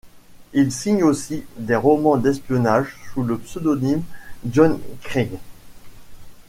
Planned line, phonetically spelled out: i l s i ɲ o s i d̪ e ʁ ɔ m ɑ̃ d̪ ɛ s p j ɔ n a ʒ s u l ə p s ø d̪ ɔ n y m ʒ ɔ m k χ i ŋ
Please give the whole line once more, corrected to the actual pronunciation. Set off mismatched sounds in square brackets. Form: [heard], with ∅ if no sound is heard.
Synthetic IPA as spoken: i l s i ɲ o s i d̪ e ʁ ɔ m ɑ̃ d̪ ɛ s p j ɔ n a ʒ s u l ə p s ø d̪ ɔ n [i] m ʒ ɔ [n] k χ i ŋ